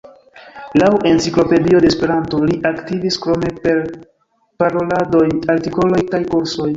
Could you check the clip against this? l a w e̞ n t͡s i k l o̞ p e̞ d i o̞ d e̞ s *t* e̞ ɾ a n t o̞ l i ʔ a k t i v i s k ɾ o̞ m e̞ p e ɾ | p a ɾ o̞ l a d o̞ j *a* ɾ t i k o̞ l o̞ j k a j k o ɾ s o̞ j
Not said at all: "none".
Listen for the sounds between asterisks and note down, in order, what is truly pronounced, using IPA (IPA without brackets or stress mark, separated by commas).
p, a